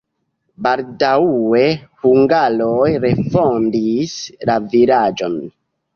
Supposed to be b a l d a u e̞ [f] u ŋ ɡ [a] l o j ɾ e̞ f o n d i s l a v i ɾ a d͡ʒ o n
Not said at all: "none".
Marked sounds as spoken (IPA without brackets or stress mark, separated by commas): h, a